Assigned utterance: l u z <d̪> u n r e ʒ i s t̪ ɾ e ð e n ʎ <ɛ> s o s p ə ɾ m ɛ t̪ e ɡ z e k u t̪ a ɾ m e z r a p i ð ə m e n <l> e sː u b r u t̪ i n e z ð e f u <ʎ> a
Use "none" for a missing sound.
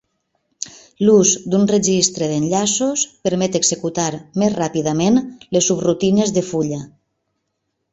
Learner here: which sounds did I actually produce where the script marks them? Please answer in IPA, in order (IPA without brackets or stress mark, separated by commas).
d̪, a, l, ʎ